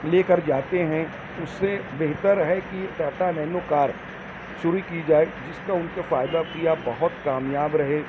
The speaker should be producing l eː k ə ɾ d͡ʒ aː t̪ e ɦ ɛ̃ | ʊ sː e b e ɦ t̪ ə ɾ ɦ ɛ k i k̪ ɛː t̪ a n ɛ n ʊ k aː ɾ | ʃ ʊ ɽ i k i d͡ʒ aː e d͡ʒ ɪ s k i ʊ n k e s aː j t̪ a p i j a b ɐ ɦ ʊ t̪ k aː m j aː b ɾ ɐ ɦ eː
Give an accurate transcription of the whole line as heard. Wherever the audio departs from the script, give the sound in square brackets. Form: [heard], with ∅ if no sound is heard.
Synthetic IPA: l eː k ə ɾ d͡ʒ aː t̪ e ɦ ɛ̃ | ʊ sː e b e ɦ t̪ ə ɾ ɦ ɛ k i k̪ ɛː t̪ a n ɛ n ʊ k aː ɾ | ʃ ʊ [ɾ] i k i d͡ʒ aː e d͡ʒ ɪ s k [a] ʊ n k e [f] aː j [d̪] a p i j a b ɐ ɦ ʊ t̪ k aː m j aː b ɾ ɐ ɦ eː

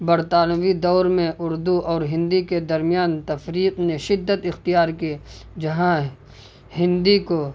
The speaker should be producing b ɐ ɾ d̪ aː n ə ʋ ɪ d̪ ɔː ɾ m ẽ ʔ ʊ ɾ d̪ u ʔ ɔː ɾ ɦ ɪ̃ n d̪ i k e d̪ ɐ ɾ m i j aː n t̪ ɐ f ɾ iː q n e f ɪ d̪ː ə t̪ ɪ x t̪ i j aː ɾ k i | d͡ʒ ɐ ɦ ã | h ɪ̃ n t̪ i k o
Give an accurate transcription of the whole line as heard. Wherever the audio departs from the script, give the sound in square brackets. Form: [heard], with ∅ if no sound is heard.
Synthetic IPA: b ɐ ɾ [t̪] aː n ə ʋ [i] d̪ ɔː ɾ m ẽ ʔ ʊ ɾ d̪ u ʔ ɔː ɾ ɦ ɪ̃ n d̪ i k e d̪ ɐ ɾ m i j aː n t̪ ɐ f ɾ iː q n e [ʃ] ɪ d̪ː ə t̪ ɪ x t̪ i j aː ɾ k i | d͡ʒ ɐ ɦ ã | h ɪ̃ n [d̪] i k o

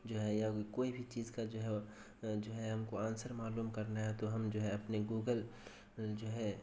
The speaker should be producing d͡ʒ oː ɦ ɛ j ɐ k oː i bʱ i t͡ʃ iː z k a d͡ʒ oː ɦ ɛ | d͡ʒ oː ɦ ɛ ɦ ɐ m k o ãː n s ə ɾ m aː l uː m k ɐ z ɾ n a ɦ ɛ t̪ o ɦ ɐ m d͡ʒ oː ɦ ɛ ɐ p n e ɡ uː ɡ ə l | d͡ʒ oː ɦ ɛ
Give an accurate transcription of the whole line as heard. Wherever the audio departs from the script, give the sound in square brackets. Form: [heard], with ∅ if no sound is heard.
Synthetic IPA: d͡ʒ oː ɦ ɛ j [a] k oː i bʱ i t͡ʃ iː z k a d͡ʒ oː ɦ ɛ | d͡ʒ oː ɦ ɛ ɦ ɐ m k o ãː n s ə ɾ m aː l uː m k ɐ [∅] ɾ n a ɦ ɛ t̪ o ɦ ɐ m d͡ʒ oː ɦ ɛ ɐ p n e ɡ uː ɡ ə l | d͡ʒ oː ɦ ɛ

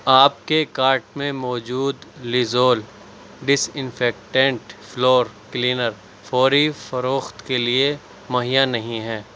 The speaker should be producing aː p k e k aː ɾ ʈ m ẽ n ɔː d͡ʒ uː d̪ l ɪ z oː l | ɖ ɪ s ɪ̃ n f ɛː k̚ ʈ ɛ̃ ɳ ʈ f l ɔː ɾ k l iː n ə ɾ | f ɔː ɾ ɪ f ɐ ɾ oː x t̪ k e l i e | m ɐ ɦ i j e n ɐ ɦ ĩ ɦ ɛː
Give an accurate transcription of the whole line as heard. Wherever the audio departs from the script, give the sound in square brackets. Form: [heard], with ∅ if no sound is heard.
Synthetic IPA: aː p k e k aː ɾ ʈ m ẽ [m] ɔː d͡ʒ uː d̪ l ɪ z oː l | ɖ ɪ s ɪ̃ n f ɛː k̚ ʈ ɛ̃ ɳ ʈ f l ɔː ɾ k l iː n ə ɾ | f ɔː ɾ [i] f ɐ ɾ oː x t̪ k e l i e | m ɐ ɦ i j [a] n ɐ ɦ ĩ ɦ ɛː

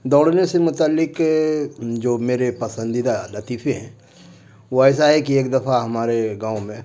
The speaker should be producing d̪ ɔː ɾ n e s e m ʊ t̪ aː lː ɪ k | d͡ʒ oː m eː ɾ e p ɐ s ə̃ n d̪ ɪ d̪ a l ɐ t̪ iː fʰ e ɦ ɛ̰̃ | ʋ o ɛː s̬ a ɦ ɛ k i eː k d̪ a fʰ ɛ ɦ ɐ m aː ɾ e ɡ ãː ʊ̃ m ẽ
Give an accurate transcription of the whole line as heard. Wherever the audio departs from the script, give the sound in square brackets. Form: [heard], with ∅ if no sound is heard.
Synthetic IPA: d̪ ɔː [ɽ] n e s e m ʊ t̪ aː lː ɪ k | d͡ʒ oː m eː ɾ e p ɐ s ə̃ n d̪ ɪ d̪ a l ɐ t̪ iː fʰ e ɦ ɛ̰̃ | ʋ o ɛː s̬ a ɦ ɛ k i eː k d̪ [ɐ] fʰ [a] ɦ ɐ m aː ɾ e ɡ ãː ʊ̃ m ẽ

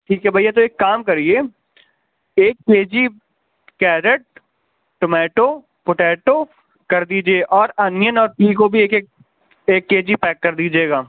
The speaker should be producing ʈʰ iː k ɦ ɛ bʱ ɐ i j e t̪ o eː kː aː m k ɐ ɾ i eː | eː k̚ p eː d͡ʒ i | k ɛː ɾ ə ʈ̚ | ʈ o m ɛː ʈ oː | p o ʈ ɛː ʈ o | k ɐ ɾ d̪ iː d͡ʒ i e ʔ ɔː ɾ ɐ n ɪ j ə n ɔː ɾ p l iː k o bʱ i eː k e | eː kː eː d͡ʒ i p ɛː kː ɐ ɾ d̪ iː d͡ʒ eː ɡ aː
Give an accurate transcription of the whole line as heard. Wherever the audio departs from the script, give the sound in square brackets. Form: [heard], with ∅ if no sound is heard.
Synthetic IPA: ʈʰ iː k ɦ ɛ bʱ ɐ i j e t̪ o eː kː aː m k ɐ ɾ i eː | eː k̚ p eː d͡ʒ i | k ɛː ɾ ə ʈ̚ | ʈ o m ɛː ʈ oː | p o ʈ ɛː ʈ o | k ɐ ɾ d̪ iː d͡ʒ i e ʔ ɔː ɾ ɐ n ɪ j ə n ɔː ɾ p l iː k o bʱ i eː k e | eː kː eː d͡ʒ i p ɛː kː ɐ ɾ d̪ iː d͡ʒ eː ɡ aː

